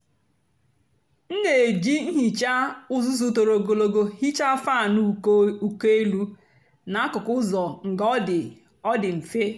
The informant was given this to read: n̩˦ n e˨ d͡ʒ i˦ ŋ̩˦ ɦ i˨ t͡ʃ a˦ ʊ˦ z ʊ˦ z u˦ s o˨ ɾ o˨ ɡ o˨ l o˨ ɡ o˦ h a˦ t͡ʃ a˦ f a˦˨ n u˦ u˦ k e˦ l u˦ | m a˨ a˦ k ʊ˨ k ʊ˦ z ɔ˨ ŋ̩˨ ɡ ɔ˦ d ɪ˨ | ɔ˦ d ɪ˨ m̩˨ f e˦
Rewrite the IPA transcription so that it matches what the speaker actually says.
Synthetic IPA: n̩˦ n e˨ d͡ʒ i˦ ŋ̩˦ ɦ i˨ t͡ʃ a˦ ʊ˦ z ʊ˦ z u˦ t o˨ ɾ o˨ ɡ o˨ l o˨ ɡ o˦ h i˦ t͡ʃ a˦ f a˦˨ n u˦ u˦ k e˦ l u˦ | n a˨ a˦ k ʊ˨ k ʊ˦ z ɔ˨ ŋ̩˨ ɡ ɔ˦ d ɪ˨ | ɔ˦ d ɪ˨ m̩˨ f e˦